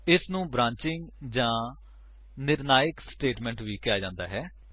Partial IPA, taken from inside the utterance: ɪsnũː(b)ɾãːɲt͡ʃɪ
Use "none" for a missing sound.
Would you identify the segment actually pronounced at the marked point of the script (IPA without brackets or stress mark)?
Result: b